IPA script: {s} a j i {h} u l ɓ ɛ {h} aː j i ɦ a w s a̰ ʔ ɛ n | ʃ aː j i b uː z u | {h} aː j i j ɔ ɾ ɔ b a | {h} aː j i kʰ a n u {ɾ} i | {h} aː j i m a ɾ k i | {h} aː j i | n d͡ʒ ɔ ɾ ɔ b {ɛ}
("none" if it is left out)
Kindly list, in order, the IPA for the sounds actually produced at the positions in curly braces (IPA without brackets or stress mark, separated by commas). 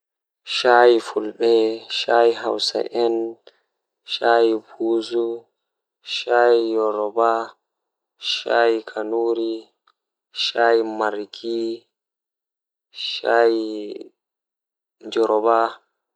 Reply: ʃ, f, ʃ, ʃ, ʃ, ɾ, ʃ, ʃ, a